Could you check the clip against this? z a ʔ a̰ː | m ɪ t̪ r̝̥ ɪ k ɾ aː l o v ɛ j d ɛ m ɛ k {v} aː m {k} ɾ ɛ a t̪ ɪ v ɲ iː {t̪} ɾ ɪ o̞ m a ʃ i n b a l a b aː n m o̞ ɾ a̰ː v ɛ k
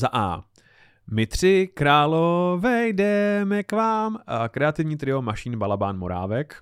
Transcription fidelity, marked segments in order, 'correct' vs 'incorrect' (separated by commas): correct, correct, correct